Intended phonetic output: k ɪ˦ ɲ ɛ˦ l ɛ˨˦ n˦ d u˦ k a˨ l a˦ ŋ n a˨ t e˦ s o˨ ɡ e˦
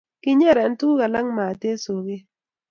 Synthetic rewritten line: k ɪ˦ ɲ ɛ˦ ɾ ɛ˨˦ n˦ t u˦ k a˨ l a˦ ŋ m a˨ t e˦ s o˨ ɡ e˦